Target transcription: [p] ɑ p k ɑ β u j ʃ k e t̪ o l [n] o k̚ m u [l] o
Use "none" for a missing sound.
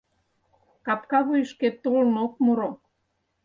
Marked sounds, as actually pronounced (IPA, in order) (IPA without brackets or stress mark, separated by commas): k, n, ɾ